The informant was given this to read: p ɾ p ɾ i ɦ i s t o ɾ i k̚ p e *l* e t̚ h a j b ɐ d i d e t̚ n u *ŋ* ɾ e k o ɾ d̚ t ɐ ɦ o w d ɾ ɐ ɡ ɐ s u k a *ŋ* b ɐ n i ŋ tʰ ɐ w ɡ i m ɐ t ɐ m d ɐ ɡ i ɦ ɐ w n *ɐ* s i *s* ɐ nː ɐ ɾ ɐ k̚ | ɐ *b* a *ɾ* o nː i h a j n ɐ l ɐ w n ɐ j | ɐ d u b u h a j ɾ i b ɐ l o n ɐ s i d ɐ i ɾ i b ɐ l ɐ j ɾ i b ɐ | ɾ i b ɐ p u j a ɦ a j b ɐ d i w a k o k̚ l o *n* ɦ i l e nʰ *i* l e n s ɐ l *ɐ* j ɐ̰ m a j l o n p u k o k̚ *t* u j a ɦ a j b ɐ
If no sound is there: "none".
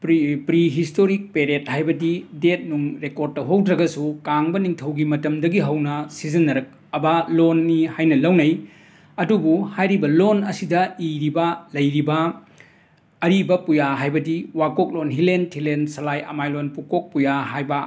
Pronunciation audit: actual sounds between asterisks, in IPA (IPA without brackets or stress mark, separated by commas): ɾ, ŋ, ŋ, ɐ, z, b, l, n, i, a, p